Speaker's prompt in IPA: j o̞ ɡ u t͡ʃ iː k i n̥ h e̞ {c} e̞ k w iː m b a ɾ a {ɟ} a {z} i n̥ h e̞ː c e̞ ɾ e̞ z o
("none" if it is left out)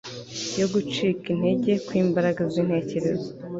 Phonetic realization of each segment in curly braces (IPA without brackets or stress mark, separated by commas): ɟ, ɡ, z